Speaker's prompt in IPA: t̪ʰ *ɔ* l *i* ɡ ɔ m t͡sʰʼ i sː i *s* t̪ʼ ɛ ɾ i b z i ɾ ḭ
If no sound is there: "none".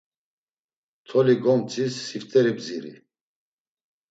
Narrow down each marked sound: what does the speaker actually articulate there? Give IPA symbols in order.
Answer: ɔ, i, f

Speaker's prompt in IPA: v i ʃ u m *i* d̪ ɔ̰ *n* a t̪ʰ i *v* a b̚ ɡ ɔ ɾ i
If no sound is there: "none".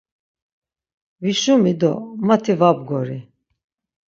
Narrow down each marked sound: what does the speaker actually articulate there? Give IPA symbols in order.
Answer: i, m, v

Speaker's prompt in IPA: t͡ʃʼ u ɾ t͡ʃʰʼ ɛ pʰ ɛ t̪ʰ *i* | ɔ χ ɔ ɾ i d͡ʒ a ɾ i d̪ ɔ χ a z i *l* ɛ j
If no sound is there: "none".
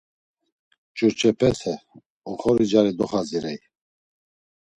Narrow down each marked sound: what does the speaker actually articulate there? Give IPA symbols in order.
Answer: ɛ, ɾ

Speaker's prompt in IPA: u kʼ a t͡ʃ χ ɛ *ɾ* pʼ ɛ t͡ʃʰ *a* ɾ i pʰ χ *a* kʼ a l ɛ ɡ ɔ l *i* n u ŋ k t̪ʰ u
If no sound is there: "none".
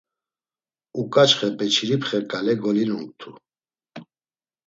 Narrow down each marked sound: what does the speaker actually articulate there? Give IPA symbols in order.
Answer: none, i, ɛ, i

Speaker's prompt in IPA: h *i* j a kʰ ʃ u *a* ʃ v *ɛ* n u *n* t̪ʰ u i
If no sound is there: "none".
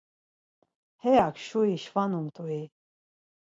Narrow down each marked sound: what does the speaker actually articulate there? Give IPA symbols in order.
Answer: ɛ, i, a, m

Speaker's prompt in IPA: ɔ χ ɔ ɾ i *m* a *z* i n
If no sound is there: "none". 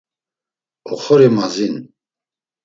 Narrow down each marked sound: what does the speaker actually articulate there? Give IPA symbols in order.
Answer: m, z

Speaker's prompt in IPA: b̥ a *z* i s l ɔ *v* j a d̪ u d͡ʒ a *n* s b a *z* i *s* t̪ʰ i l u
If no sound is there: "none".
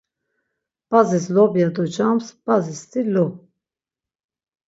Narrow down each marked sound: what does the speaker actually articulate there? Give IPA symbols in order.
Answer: z, b, m, z, s

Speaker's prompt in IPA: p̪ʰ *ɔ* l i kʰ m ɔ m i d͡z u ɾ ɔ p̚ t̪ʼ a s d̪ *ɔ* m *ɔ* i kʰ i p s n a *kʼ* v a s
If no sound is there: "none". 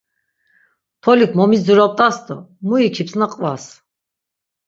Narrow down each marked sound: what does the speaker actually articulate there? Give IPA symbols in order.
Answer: ɔ, ɔ, u, qʼ

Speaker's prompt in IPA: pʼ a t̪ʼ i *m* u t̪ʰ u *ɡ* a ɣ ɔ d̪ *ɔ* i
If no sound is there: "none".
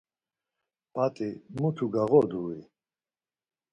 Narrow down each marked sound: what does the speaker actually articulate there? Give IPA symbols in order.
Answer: m, ɡ, u

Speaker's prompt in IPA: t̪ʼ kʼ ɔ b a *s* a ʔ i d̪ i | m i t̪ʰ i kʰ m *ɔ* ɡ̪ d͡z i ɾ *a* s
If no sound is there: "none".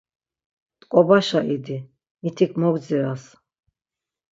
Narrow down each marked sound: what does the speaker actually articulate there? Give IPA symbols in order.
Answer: ʃ, ɔ, a

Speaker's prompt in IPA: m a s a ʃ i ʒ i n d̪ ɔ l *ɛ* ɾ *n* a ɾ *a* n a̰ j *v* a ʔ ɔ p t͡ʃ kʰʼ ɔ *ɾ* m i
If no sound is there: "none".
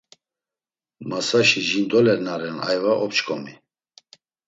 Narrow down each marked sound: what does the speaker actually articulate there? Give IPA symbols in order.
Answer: ɛ, n, ɛ, v, none

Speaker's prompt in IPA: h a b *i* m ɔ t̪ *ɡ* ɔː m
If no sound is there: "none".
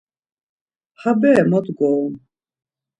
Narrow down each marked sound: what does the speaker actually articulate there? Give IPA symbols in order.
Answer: ɛ, ɡ

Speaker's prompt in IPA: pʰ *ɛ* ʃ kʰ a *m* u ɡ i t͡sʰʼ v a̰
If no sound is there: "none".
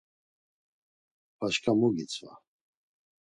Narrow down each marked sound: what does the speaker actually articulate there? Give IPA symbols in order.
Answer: a, m

